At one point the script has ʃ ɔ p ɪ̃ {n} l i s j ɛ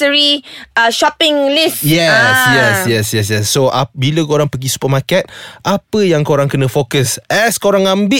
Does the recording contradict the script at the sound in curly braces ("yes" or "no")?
yes